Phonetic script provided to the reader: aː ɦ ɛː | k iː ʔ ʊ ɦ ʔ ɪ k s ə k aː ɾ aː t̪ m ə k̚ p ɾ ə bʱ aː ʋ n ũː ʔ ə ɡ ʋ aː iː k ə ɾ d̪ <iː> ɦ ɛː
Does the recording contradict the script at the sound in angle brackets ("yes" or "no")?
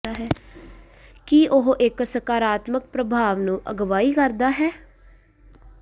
yes